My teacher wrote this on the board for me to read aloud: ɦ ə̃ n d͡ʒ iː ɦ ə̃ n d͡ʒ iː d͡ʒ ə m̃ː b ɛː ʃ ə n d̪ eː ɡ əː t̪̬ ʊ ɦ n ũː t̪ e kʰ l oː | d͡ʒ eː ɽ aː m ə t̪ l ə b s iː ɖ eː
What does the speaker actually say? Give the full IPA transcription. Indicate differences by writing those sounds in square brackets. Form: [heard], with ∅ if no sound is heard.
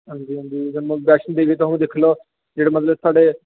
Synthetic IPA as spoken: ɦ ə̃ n d͡ʒ iː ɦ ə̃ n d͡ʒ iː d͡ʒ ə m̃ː b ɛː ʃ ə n d̪ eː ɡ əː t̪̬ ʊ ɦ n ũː [d̪] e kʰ l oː | d͡ʒ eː ɽ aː m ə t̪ l ə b s [aː] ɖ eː